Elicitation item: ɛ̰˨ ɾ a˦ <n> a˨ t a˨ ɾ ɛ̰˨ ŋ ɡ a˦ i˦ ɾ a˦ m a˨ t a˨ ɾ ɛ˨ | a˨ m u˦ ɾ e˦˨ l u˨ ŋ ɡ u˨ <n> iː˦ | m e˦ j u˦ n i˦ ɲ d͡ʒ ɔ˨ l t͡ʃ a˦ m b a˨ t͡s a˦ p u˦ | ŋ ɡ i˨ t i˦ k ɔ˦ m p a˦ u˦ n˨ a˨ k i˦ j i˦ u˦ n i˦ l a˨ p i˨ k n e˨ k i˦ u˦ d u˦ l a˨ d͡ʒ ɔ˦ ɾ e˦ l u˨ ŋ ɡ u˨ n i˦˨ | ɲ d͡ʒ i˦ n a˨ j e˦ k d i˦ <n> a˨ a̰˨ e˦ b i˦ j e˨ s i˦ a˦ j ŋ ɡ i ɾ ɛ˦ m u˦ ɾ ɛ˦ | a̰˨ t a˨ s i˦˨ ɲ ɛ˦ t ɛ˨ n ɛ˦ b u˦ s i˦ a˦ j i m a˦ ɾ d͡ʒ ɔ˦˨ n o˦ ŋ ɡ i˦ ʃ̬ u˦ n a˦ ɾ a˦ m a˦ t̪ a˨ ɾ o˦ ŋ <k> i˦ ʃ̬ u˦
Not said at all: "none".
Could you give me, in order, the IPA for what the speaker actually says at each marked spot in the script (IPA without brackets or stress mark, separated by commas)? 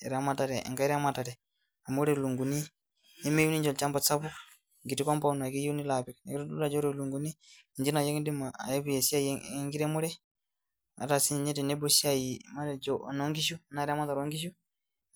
m, n, m, ɡ